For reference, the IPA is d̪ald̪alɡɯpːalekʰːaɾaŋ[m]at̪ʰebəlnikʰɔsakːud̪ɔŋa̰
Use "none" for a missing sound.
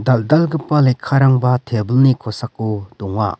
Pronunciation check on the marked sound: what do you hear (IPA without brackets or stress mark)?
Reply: b